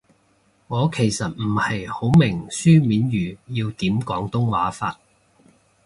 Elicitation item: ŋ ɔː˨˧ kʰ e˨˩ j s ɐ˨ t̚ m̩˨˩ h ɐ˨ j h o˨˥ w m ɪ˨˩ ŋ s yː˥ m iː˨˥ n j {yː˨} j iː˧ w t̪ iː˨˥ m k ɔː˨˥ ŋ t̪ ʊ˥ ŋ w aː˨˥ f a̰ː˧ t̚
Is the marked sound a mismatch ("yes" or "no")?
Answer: no